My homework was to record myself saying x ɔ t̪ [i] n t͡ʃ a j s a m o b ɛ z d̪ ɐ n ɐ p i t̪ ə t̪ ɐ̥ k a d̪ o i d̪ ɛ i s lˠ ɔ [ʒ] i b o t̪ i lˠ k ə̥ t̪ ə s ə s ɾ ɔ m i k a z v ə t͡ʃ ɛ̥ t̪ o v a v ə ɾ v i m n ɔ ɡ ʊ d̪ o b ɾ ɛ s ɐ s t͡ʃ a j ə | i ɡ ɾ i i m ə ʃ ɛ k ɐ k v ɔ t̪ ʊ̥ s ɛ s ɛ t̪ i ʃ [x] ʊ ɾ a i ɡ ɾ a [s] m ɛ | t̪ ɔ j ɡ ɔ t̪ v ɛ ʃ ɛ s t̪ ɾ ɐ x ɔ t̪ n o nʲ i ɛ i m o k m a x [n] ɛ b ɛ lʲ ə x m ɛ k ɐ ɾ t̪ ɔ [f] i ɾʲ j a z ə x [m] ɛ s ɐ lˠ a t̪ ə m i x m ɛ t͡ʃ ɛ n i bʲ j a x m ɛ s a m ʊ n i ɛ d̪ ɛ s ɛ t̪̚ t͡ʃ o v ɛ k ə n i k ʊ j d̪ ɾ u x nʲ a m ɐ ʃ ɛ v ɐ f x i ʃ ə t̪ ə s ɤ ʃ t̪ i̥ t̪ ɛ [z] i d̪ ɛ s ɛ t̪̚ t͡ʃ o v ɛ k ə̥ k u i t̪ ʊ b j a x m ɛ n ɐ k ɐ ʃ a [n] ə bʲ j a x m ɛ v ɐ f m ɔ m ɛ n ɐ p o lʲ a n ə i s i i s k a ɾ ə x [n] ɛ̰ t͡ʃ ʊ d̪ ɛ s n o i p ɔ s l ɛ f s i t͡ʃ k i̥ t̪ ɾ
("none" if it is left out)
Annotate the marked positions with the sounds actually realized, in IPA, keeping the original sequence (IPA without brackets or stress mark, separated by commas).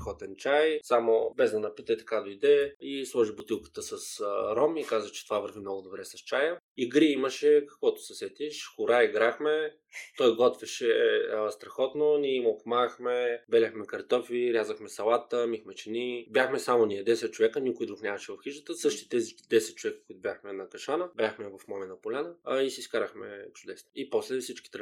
ɛ, ʒ, x, x, m, f, m, z, n, m